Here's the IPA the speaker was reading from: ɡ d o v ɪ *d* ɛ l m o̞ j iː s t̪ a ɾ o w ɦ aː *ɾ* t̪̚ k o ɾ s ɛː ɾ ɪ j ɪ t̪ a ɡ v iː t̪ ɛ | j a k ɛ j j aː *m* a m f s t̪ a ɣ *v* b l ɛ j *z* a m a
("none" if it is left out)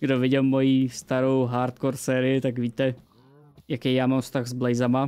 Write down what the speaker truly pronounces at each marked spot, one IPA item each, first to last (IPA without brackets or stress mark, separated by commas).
ɟ, ɾ, m, z, z